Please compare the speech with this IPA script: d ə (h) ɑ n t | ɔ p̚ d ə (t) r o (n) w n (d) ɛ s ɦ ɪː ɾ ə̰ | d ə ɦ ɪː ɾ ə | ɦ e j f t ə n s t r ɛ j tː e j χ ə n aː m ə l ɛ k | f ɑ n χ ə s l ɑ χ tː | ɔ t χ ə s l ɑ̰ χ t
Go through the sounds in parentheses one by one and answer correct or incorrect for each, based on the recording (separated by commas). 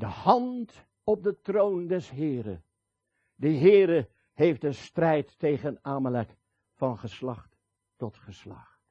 correct, correct, incorrect, correct